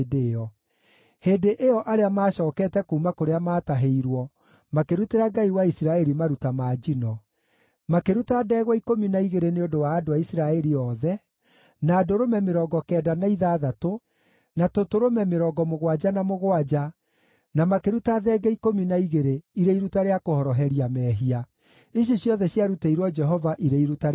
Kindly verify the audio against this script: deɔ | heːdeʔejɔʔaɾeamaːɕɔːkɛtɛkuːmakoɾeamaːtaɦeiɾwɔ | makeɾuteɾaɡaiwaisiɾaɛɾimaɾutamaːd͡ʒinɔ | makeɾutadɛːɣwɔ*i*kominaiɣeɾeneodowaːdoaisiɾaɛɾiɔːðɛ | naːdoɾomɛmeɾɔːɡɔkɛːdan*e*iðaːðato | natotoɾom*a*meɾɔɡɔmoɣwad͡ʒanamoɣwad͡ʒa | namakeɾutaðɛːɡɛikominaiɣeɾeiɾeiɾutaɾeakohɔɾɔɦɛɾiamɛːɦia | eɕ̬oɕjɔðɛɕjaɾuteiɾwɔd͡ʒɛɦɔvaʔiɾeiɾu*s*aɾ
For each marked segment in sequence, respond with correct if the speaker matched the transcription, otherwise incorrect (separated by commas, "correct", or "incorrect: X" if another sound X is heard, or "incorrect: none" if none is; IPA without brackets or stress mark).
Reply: correct, incorrect: a, incorrect: ɛ, incorrect: t